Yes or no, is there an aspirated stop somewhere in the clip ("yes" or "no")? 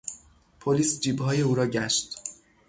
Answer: yes